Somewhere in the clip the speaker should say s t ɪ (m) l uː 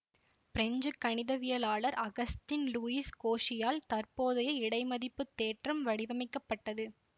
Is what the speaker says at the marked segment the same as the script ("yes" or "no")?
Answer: no